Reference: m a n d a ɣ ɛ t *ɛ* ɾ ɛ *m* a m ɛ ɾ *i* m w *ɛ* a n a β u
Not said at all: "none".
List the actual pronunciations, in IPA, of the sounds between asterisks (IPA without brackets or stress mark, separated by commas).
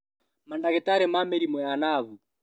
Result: a, m, i, ɛ